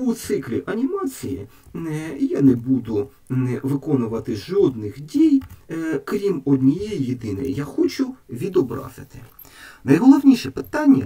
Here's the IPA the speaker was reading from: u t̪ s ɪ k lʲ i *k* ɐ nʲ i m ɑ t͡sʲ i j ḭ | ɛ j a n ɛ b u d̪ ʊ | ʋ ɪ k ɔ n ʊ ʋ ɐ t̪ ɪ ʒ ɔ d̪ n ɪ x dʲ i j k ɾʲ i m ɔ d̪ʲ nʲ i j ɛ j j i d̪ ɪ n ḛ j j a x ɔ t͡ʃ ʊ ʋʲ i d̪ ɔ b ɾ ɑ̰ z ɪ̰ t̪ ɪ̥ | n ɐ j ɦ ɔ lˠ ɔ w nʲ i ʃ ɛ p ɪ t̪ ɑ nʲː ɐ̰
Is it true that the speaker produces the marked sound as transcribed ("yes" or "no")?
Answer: no